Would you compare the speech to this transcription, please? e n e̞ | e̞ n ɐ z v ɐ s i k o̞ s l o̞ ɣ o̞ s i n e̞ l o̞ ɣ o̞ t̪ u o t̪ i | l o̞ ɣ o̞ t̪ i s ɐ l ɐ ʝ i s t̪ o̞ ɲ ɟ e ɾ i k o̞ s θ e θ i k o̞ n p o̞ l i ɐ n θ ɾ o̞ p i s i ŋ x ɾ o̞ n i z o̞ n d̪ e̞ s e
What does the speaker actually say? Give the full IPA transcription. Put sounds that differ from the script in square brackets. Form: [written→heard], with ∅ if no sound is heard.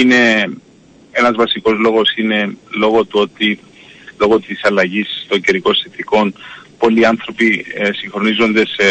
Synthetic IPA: [e→i] n e̞ | e̞ n ɐ z v ɐ s i k o̞ [s→z] l o̞ ɣ o̞ s i n e̞ l o̞ ɣ o̞ t̪ u o t̪ i | l o̞ ɣ o̞ t̪ i s ɐ l ɐ ʝ i s t̪ o̞ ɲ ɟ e ɾ i k o̞ s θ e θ i k o̞ n p o̞ l i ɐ n θ ɾ o̞ p i s i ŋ x ɾ o̞ n i z o̞ n d̪ e̞ s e